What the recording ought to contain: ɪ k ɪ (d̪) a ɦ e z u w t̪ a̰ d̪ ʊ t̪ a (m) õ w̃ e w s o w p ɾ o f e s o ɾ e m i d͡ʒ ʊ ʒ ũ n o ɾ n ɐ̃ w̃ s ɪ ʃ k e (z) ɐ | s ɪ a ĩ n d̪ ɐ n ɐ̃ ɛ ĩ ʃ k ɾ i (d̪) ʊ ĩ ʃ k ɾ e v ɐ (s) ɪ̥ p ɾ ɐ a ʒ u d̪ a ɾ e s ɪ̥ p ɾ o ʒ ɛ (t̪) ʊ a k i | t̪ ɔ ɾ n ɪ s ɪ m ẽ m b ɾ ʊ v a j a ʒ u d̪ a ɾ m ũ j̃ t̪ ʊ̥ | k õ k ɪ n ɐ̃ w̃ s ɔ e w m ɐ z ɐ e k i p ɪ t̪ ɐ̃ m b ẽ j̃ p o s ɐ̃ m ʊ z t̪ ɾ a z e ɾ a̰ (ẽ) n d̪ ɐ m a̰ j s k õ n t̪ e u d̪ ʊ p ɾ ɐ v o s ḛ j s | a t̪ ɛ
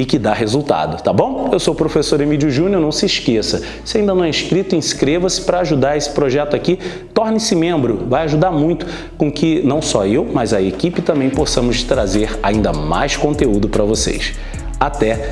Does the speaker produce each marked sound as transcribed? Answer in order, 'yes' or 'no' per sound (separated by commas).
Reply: yes, no, no, no, yes, yes, no